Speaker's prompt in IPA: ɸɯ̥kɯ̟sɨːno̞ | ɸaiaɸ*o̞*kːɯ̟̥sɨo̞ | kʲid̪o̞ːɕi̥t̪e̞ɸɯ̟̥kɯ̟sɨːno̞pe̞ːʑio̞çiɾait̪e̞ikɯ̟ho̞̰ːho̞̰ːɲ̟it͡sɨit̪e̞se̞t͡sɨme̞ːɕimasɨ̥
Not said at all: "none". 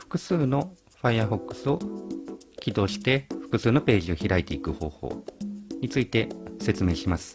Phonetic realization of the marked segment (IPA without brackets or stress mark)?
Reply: o̞